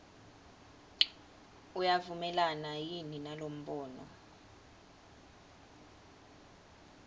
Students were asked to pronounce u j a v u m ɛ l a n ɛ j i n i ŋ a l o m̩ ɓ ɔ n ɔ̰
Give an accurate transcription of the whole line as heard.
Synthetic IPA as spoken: u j a v u m ɛ l a n a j i n i n a l o m̩ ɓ ɔː n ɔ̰